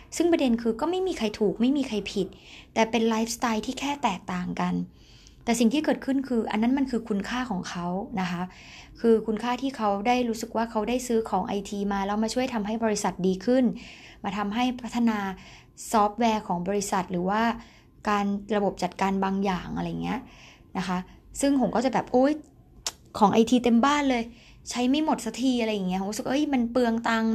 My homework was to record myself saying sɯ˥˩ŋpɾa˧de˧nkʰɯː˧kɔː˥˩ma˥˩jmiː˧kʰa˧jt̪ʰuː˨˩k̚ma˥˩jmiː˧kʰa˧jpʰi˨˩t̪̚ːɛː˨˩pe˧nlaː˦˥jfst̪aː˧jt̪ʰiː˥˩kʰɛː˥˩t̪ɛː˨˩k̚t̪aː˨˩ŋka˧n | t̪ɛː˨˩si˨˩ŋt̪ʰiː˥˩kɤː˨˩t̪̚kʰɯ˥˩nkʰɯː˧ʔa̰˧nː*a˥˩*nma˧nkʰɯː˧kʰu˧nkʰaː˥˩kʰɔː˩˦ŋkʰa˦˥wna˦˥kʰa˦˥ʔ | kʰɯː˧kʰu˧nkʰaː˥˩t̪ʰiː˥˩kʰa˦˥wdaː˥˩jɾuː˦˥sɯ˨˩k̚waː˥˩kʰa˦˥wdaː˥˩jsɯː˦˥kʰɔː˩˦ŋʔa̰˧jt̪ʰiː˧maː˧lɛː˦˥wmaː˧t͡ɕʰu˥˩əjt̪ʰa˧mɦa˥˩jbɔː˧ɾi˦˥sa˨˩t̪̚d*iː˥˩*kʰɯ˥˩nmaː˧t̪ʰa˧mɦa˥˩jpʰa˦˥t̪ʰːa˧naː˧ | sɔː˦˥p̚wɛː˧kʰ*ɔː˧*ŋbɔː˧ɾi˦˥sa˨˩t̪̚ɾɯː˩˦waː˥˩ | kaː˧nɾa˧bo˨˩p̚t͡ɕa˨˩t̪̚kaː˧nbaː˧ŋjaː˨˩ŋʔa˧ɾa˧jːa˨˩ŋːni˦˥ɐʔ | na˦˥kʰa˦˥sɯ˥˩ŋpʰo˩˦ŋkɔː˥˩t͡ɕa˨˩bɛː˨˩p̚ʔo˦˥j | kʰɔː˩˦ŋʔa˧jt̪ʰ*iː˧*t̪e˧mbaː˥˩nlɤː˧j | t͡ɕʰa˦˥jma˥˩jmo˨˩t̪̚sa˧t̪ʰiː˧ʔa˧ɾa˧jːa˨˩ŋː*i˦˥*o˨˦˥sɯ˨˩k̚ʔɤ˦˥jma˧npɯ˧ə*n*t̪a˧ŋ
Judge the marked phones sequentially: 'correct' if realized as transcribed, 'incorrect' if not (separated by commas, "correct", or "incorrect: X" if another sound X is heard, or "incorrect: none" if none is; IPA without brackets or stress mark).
incorrect: a˦˥, incorrect: iː˧, incorrect: ɔː˩˦, correct, correct, incorrect: ŋ